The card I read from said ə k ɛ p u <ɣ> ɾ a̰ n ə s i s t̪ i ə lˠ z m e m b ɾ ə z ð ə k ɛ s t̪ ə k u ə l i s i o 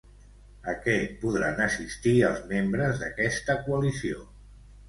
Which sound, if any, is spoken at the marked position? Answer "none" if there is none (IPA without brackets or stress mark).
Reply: ð